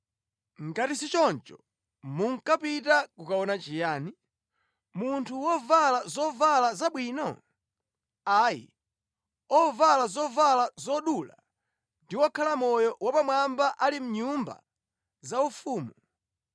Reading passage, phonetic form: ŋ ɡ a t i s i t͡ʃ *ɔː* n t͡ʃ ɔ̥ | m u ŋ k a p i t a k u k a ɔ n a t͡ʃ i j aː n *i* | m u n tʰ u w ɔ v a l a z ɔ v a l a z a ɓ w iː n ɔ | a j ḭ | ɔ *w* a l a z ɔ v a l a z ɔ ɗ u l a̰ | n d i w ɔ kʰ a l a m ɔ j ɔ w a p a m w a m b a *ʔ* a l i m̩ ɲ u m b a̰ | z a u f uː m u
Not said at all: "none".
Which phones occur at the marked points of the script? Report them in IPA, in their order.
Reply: ɔ, i, v, ʔ

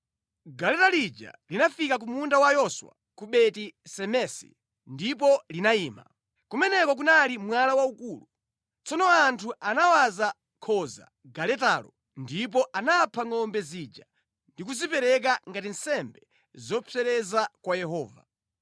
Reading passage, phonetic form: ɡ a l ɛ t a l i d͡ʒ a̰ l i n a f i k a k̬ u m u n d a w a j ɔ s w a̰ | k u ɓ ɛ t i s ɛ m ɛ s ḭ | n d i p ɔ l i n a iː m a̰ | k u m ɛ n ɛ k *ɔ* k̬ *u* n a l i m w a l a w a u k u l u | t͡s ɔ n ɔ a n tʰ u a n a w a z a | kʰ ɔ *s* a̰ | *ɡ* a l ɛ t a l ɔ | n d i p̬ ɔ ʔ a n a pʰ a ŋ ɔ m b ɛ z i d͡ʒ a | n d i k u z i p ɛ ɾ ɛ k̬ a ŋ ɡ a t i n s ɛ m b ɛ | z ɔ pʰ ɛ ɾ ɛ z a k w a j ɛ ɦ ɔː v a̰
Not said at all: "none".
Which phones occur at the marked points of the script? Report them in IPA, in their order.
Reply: ɔ, u, z, ɡ

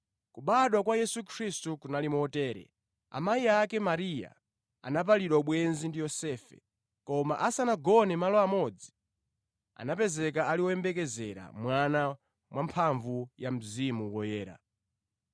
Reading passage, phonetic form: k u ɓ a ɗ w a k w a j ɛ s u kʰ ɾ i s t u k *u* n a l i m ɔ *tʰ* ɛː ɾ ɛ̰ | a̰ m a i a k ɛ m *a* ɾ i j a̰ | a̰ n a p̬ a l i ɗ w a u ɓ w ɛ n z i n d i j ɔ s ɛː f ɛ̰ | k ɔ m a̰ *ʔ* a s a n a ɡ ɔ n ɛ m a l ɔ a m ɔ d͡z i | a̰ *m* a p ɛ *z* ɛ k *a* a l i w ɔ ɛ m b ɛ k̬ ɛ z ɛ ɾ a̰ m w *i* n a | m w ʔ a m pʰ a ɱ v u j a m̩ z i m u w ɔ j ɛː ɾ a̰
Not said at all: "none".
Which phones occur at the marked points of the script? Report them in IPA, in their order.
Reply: u, t, a, ʔ, n, z, a, a

